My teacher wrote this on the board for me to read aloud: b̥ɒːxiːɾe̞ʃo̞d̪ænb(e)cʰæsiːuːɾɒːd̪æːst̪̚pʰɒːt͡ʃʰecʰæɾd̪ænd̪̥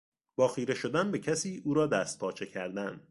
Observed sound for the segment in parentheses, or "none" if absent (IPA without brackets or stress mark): e